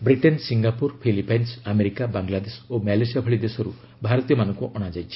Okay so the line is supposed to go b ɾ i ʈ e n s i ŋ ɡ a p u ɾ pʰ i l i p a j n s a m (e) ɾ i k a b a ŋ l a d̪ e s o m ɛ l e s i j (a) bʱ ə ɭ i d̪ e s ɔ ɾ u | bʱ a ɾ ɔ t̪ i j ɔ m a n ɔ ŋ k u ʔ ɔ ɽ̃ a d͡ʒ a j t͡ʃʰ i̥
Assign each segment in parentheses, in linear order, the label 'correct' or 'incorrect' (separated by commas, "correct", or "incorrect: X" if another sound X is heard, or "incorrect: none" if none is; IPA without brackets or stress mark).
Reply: correct, correct